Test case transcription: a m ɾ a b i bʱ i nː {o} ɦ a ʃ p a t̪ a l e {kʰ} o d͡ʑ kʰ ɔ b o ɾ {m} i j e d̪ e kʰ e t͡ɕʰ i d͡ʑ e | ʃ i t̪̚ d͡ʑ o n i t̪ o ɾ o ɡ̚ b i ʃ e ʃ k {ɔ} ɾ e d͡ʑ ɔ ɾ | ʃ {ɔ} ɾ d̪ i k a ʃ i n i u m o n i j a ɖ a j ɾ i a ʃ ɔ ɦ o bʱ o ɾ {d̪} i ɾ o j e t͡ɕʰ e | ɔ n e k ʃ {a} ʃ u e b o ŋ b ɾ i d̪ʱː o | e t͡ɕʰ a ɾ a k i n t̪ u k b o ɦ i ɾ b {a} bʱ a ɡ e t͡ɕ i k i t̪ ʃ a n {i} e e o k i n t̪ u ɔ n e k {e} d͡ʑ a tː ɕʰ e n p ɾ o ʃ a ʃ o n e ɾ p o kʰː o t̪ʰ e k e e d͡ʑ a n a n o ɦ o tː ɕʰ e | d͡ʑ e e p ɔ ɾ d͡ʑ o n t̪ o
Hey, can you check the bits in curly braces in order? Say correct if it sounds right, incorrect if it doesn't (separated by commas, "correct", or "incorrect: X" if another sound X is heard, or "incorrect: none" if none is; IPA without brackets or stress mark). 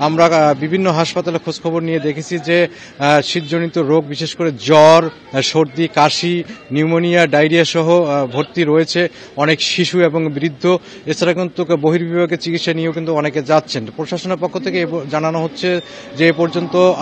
correct, correct, incorrect: n, incorrect: o, incorrect: o, incorrect: t̪, incorrect: i, incorrect: i, correct, correct